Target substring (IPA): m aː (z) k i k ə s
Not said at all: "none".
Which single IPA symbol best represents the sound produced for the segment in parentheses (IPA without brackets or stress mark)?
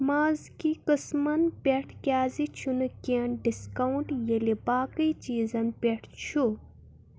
z